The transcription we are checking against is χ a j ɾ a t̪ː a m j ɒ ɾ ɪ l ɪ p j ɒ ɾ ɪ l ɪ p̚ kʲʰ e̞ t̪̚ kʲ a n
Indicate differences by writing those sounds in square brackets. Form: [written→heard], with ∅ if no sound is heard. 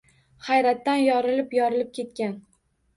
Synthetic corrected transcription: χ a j ɾ a t̪ː a [m→n] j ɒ ɾ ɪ l ɪ p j ɒ ɾ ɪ l ɪ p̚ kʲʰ e̞ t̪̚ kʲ a n